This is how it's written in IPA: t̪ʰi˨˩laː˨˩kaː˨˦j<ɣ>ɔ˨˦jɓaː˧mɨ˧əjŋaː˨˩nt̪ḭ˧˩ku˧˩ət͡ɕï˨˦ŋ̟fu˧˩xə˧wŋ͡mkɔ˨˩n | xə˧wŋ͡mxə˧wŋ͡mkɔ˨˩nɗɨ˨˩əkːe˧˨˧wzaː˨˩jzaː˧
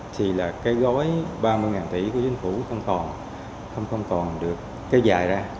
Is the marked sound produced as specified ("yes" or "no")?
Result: yes